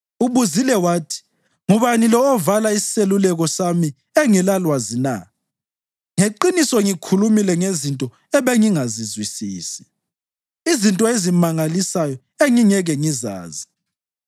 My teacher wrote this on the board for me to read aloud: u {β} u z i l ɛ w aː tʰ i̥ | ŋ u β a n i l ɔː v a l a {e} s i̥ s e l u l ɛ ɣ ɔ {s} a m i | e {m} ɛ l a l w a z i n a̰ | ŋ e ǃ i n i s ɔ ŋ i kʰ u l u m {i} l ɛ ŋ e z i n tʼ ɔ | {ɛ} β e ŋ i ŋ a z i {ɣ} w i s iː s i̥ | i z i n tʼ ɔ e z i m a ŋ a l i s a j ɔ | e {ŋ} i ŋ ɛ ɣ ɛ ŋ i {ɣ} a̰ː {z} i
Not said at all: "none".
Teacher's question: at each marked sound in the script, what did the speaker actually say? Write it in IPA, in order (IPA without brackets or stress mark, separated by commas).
β, i, s, ŋ, i, ɛ, z, ŋ, z, z